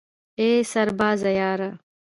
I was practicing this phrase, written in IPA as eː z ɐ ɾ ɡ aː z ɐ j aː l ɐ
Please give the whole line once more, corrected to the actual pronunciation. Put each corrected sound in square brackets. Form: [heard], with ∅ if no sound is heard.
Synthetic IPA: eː [s] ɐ ɾ [b] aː z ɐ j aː [ɾ] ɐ